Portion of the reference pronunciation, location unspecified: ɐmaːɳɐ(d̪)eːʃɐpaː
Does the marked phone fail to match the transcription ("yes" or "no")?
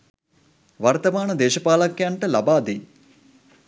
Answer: no